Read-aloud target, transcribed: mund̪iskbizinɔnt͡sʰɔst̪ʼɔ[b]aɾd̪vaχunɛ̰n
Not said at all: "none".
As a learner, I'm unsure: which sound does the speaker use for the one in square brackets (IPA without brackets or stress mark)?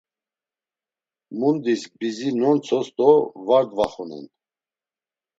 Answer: v